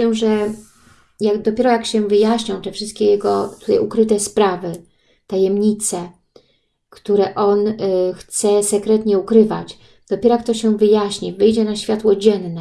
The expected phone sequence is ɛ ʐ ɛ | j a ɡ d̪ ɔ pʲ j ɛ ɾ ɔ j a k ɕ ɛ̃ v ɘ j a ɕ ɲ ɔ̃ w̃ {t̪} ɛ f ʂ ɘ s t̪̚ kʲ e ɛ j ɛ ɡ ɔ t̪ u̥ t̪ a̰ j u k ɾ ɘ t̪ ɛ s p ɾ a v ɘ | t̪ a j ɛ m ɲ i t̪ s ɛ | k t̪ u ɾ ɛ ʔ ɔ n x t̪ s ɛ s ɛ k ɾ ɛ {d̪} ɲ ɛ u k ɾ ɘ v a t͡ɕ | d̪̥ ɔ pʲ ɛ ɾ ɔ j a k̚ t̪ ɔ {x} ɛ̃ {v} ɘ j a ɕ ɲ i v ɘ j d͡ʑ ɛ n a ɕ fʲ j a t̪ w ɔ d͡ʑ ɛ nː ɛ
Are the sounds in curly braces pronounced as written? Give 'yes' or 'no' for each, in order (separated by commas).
yes, no, no, yes